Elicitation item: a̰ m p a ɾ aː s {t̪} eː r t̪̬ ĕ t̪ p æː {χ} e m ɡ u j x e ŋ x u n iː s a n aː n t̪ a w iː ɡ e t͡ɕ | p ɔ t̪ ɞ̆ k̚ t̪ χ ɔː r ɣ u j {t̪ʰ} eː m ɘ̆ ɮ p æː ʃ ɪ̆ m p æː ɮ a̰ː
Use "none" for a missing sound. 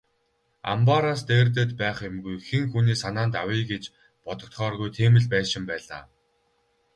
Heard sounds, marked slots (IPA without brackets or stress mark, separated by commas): t̪, χ, t̪ʰ